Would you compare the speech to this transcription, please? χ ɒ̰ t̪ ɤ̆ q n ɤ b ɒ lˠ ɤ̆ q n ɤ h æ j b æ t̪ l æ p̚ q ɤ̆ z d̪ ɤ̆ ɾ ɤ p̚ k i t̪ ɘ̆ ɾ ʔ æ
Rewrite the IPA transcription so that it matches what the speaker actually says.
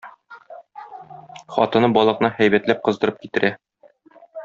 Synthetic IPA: χ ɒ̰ t̪ ɤ̆ n ɤ b ɒ lˠ ɤ̆ q n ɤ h æ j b æ t̪ l æ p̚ q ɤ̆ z d̪ ɤ̆ ɾ ɤ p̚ k i t̪ ɘ̆ ɾ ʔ æ